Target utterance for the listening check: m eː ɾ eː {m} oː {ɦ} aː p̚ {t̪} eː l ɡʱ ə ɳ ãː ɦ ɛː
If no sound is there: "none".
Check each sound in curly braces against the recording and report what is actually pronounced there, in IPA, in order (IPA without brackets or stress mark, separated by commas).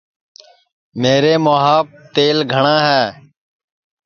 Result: m, ɦ, t̪